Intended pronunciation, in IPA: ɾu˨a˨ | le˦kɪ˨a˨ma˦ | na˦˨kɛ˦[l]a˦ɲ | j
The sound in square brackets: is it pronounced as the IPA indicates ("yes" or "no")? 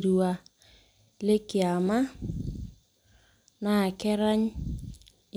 no